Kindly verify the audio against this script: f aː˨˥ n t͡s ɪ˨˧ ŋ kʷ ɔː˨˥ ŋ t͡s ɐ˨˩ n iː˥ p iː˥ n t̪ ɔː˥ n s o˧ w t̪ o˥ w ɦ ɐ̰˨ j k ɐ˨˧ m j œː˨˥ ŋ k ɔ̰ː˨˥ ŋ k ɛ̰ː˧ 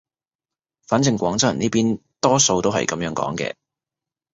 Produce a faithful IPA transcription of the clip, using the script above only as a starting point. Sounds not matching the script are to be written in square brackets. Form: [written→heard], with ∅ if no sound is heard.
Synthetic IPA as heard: f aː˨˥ n t͡s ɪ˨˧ ŋ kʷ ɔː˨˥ ŋ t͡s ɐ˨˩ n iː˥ p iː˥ n t̪ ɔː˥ [n→∅] s o˧ w t̪ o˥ w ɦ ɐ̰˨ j k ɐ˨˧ m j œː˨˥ ŋ k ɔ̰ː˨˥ ŋ k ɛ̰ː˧

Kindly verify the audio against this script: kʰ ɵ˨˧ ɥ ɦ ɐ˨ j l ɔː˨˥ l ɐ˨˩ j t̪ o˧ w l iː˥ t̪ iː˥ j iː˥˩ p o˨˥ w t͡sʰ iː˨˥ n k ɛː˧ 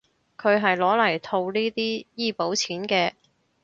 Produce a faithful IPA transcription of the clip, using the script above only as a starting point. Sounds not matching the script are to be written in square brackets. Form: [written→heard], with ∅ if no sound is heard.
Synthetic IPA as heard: kʰ ɵ˨˧ ɥ ɦ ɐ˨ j l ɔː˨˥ l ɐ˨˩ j [t̪→t̪ʰ] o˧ w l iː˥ t̪ iː˥ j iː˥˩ p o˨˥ w t͡sʰ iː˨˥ n k ɛː˧

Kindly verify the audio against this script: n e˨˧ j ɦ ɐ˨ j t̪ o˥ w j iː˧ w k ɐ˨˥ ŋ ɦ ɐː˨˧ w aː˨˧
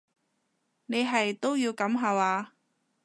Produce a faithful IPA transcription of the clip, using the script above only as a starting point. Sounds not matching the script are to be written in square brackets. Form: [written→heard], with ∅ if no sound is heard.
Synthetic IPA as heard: n e˨˧ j ɦ ɐ˨ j t̪ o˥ w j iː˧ w k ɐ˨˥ [ŋ→m] ɦ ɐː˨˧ w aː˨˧

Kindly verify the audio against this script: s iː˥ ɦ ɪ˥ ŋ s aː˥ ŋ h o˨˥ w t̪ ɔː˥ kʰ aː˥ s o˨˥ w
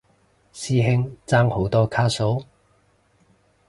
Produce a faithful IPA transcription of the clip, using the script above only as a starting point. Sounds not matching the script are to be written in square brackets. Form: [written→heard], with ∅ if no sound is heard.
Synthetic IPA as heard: s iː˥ ɦ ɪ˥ ŋ [s→t͡s] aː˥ ŋ h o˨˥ w t̪ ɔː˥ kʰ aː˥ s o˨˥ w

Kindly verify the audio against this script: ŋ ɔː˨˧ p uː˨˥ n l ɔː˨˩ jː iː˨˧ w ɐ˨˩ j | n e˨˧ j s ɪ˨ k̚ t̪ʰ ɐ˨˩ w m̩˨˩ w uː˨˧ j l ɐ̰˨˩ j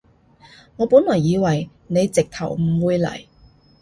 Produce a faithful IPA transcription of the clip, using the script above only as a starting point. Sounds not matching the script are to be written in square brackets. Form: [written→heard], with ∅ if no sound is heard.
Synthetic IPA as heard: ŋ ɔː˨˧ p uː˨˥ n l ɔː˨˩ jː iː˨˧ w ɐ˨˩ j | n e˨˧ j [s→t͡s] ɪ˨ k̚ t̪ʰ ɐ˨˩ w m̩˨˩ w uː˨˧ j l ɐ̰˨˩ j

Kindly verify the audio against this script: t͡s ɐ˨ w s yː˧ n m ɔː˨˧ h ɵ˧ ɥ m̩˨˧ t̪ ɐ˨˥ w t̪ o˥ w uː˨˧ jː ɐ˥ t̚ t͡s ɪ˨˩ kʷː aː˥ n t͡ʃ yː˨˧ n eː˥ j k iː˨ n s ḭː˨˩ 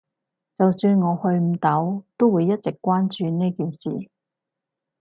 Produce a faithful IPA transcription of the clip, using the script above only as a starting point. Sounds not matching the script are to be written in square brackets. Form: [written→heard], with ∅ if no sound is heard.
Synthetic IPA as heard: t͡s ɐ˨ w s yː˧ n [m→ŋ] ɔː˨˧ h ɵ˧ ɥ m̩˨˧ t̪ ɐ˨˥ w t̪ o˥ w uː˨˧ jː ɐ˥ t̚ t͡s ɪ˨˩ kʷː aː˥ n t͡ʃ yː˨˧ n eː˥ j k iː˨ n s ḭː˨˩

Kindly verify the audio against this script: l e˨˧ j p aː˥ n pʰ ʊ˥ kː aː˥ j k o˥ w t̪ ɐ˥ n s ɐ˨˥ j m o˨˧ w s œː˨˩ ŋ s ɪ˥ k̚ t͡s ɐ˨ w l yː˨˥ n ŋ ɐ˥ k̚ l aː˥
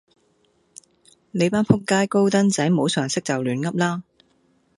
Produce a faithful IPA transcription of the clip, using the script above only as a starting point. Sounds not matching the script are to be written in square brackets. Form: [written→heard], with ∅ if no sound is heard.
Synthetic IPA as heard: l e˨˧ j p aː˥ n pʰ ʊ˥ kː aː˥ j k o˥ w t̪ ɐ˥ n [s→t͡s] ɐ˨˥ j m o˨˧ w s œː˨˩ ŋ s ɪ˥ k̚ t͡s ɐ˨ w l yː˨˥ n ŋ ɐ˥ [k̚→p̚] l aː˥

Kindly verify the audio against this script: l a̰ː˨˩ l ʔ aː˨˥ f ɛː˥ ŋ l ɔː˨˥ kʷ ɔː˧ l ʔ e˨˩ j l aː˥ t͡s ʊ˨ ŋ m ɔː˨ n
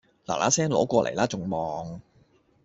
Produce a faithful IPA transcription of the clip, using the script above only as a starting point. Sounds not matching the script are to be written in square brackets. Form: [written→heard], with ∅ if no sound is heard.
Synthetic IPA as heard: l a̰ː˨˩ l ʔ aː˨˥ [f→s] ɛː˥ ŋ l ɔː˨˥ kʷ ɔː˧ l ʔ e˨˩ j l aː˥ t͡s ʊ˨ ŋ m ɔː˨ [n→ŋ]

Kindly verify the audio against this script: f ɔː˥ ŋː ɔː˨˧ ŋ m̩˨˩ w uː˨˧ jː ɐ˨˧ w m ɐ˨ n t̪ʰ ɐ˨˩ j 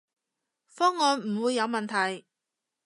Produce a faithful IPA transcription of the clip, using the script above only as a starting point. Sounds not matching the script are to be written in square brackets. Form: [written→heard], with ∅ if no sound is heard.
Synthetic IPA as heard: f ɔː˥ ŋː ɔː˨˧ [ŋ→n] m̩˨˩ w uː˨˧ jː ɐ˨˧ w m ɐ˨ n t̪ʰ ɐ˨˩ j

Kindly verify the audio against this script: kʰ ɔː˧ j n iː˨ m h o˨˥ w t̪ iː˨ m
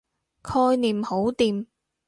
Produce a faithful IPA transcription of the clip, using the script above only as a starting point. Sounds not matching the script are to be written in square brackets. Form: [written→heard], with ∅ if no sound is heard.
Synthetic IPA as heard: kʰ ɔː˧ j n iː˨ m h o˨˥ w t̪ iː˨ m

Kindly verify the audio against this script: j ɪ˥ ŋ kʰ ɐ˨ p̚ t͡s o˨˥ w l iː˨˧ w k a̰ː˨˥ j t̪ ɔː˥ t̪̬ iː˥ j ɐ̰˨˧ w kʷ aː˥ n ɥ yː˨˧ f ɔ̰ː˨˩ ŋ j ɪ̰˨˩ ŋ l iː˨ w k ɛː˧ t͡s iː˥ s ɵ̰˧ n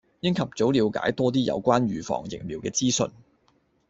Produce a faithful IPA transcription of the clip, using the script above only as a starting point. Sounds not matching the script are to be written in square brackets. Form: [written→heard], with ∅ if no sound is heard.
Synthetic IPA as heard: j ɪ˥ ŋ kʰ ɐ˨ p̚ t͡s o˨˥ w l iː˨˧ w k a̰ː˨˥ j t̪ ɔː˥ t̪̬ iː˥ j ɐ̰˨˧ w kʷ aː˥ n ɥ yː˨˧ f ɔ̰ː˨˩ ŋ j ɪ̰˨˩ ŋ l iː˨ w k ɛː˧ t͡s iː˥ s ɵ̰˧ n

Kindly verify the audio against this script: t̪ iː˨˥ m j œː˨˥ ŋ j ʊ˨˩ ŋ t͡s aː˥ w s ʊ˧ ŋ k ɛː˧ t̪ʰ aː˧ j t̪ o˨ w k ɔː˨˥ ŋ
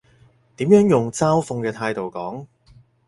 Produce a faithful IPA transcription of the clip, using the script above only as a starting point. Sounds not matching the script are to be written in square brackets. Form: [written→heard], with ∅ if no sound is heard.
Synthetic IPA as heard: t̪ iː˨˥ m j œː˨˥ ŋ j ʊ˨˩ ŋ t͡s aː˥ w [s→f] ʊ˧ ŋ k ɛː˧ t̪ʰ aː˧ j t̪ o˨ w k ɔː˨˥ ŋ

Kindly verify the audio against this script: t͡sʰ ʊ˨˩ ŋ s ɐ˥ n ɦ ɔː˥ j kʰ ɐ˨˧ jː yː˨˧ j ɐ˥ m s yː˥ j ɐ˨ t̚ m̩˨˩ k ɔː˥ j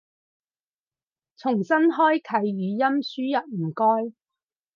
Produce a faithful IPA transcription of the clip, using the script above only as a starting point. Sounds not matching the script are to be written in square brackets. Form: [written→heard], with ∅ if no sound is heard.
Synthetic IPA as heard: t͡sʰ ʊ˨˩ ŋ s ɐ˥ n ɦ ɔː˥ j kʰ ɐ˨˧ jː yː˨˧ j ɐ˥ m s yː˥ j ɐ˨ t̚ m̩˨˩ k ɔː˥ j

